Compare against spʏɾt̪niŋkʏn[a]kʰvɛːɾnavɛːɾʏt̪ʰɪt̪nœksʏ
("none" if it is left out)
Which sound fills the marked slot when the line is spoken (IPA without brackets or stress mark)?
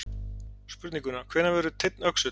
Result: a